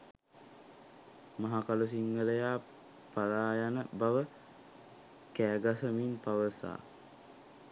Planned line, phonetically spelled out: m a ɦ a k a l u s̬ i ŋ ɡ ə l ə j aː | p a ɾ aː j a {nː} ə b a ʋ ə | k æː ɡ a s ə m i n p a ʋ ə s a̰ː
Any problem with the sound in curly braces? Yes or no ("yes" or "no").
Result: yes